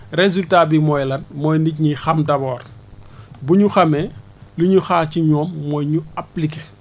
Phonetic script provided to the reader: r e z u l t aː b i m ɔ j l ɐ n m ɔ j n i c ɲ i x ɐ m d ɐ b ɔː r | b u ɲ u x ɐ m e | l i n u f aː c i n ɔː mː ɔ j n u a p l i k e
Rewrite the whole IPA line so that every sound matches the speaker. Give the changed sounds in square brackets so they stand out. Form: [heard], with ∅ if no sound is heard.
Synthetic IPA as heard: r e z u l t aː b i m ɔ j l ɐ n m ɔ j n i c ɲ i x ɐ m d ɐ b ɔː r | b u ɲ u x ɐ m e | l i [ɲ] u [x] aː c i [ɲ] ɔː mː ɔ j [ɲ] u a p l i k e